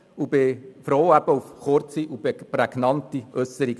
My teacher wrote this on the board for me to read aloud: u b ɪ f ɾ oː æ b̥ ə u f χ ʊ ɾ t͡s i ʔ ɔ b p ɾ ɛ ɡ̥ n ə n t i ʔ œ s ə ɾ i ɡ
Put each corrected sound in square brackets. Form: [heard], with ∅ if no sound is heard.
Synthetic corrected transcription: u b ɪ f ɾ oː æ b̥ ə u f χ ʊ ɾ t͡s i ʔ [u] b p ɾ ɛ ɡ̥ n [ɑ] n t i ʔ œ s ə ɾ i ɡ